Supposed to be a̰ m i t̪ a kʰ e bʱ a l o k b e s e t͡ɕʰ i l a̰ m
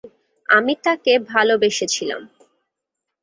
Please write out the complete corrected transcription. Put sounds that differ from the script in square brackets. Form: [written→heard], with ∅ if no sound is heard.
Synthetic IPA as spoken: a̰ m i t̪ a [kʰ→k] e bʱ a l o [k→∅] b e [s→ʃ] e t͡ɕʰ i l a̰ m